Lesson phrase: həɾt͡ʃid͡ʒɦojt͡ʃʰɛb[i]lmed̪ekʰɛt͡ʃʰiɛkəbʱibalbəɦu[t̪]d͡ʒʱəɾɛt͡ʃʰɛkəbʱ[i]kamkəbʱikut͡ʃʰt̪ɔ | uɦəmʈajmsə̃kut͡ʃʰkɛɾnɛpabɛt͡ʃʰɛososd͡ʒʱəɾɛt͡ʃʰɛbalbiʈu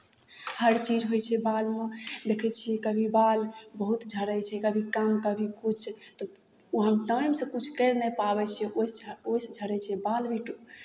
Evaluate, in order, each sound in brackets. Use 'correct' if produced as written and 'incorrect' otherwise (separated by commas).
incorrect, correct, correct